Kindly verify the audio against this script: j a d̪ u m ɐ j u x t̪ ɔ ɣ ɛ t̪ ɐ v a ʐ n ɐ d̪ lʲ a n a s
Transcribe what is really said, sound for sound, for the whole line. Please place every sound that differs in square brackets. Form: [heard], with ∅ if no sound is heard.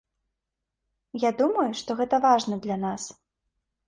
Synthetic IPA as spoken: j a d̪ u m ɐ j u [ʂ] t̪ ɔ ɣ ɛ t̪ ɐ v a ʐ n ɐ d̪ lʲ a n a s